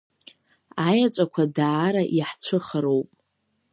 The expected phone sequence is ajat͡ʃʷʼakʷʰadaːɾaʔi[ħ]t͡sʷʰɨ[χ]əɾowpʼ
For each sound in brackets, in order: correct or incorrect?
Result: correct, correct

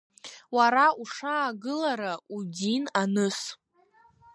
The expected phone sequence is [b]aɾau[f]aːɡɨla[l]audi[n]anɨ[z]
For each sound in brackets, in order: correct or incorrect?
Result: incorrect: w, incorrect: ʂ, incorrect: ɾ, correct, incorrect: s

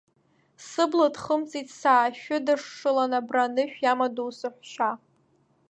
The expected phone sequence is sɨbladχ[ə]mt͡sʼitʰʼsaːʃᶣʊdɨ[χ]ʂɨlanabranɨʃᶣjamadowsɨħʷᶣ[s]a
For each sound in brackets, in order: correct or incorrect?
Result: correct, incorrect: ʂ, incorrect: ʃ

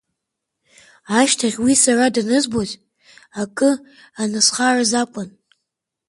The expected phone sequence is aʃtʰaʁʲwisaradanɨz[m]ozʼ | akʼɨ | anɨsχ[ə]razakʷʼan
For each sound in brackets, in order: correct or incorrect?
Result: incorrect: b, incorrect: a

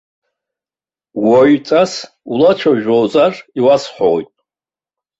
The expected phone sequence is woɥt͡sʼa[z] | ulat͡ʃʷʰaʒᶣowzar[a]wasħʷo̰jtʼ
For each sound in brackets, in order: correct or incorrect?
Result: incorrect: s, incorrect: i

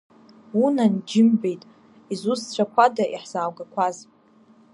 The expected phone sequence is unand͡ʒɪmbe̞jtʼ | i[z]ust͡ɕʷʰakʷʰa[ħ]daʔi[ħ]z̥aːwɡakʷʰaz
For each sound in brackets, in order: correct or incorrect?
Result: correct, incorrect: none, correct

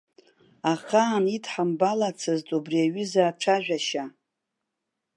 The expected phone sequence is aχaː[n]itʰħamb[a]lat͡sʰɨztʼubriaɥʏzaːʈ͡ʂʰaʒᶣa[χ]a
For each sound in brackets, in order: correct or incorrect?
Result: correct, correct, incorrect: ʃ

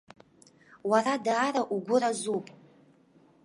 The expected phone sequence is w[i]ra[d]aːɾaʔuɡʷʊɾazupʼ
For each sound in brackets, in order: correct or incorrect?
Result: incorrect: a, correct

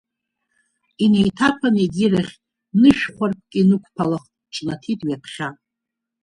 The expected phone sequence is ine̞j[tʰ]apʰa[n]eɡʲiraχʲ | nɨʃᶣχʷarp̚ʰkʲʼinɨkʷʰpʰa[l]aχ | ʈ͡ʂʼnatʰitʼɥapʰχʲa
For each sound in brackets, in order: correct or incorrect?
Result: correct, correct, correct

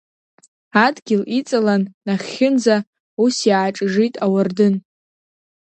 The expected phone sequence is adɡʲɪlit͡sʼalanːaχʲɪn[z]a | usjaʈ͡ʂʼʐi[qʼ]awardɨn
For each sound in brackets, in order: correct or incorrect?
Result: correct, incorrect: tʼ

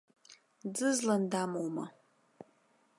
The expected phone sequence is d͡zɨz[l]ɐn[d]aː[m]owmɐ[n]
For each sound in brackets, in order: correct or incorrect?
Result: correct, correct, correct, incorrect: none

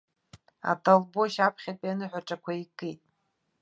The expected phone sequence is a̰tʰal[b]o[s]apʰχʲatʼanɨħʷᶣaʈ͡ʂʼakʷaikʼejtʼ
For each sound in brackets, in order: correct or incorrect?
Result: correct, incorrect: ʃ

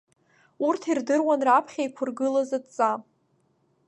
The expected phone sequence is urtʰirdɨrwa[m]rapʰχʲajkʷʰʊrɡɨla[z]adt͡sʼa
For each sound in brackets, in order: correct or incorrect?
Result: incorrect: n, correct

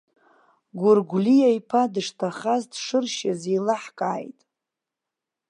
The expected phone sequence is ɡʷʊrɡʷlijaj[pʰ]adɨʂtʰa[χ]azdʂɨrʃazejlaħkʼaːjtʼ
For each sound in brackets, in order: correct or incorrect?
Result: correct, correct

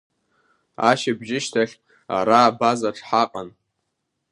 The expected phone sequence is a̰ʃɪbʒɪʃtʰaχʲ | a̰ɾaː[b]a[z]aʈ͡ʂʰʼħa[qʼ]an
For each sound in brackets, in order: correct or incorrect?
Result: correct, correct, correct

